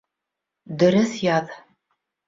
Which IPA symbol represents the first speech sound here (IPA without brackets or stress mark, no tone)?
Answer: d̪